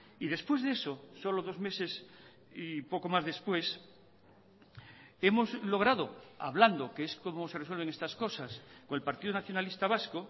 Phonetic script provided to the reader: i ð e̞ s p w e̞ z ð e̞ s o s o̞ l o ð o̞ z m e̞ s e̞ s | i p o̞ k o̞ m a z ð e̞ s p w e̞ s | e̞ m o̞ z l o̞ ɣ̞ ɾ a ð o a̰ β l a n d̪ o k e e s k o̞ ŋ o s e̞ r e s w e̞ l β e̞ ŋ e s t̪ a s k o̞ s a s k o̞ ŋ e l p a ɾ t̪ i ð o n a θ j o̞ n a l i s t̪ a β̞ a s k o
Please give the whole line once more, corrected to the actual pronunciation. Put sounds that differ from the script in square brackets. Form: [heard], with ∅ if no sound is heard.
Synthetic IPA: i ð e̞ s p w e̞ z ð e̞ s o s o̞ l o ð o̞ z m e̞ s e̞ s | i p o̞ k o̞ m a z ð e̞ s p w e̞ s | e̞ m o̞ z l o̞ ɣ̞ ɾ a ð o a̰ β l a n d̪ o k e e s k o̞ [m] o s e̞ r e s w e̞ l β e̞ ŋ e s t̪ a s k o̞ s a s k o̞ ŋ e l p a ɾ t̪ i ð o n a θ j o̞ n a l i s t̪ a β̞ a s k o